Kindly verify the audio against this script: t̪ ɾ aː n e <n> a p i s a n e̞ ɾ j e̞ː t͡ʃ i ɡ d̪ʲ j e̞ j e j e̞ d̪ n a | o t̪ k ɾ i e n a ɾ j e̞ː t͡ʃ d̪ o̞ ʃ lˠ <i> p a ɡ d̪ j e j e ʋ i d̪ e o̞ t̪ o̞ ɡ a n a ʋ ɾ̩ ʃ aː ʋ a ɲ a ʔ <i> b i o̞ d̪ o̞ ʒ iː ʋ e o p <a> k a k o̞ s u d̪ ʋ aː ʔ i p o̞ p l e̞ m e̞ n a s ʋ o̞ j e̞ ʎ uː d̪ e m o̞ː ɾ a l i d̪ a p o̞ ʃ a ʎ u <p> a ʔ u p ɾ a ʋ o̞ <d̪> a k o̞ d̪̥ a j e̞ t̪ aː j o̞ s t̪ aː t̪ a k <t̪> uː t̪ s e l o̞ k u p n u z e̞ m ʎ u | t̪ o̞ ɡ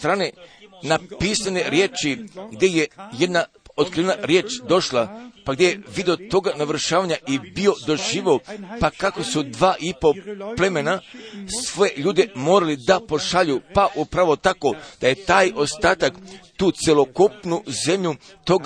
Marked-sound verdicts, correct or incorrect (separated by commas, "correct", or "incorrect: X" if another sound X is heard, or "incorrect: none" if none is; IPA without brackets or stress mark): correct, incorrect: a, correct, correct, correct, incorrect: t̪, correct